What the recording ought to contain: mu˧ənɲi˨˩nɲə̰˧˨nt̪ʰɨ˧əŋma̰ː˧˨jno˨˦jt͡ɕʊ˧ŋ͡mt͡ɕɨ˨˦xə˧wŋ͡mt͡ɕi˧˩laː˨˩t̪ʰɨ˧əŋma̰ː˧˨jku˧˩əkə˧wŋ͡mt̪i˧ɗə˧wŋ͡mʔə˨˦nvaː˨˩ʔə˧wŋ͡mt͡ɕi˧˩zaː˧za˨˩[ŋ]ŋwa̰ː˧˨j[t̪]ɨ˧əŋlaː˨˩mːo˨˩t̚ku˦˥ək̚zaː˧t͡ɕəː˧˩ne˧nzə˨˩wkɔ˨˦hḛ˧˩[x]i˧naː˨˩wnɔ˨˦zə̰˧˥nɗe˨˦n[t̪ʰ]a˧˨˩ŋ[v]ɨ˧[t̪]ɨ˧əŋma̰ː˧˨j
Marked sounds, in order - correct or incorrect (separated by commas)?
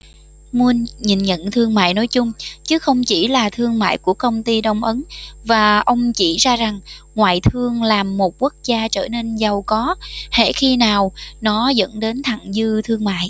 correct, incorrect, correct, correct, incorrect, incorrect